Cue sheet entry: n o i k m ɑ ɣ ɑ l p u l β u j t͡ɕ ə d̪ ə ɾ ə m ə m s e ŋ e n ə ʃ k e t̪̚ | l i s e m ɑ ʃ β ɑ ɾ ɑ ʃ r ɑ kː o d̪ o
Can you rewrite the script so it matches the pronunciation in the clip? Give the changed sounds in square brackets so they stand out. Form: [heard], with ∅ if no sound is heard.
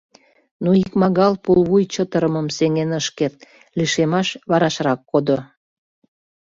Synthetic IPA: n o i k m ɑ ɣ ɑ l p u l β u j t͡ɕ ə [t̪] ə ɾ ə m ə m s e ŋ e n ə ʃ k e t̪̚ | l i [ʃ] e m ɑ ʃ β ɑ ɾ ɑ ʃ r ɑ kː o d̪ o